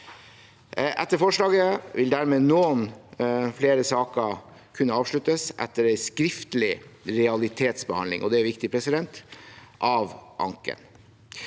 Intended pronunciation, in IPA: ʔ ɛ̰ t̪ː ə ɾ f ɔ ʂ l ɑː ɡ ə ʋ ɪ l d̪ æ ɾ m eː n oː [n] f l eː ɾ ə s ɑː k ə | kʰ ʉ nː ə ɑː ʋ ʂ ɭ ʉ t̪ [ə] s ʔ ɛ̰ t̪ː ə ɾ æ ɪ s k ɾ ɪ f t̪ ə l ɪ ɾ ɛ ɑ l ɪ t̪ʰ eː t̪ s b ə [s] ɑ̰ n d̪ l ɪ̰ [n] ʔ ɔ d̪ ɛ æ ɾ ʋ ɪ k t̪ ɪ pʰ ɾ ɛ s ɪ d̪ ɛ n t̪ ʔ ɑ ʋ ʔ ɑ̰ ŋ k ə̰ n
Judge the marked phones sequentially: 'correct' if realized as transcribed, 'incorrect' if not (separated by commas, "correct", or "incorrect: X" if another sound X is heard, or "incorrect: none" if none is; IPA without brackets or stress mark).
correct, correct, incorrect: h, incorrect: ŋ